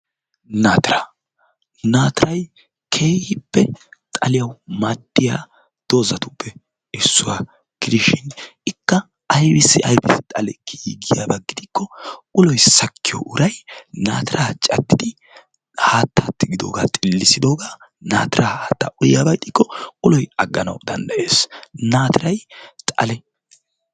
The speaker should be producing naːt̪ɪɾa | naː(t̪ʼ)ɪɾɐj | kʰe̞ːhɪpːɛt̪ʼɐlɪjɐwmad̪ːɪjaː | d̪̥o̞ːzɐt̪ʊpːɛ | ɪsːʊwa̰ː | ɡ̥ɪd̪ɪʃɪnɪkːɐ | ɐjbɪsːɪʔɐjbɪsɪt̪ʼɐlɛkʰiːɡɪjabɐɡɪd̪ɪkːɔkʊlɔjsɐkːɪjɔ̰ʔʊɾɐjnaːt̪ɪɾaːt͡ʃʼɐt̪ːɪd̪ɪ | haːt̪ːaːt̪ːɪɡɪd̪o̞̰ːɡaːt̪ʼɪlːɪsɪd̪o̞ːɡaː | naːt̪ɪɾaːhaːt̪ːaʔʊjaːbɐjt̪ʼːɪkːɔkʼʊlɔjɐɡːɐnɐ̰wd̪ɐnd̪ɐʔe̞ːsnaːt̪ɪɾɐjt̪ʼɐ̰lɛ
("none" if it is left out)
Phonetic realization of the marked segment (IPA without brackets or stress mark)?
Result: t̪